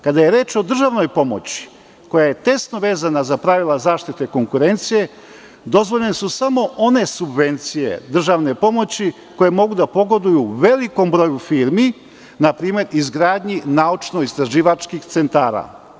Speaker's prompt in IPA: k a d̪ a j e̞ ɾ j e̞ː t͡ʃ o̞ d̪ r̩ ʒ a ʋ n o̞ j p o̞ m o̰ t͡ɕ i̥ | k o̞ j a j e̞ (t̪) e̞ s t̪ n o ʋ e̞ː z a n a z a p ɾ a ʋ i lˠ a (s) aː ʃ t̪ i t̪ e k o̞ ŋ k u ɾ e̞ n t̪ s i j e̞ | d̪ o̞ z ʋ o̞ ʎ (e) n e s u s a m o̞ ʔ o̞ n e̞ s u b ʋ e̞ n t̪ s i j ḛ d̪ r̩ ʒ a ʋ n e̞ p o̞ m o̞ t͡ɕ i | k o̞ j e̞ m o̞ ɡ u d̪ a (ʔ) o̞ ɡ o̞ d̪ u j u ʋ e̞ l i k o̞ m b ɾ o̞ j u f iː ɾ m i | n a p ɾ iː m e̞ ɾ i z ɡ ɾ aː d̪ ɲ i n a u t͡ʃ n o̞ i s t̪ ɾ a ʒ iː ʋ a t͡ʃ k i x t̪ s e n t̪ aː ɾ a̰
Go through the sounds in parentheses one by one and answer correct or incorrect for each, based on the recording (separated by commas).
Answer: correct, incorrect, correct, incorrect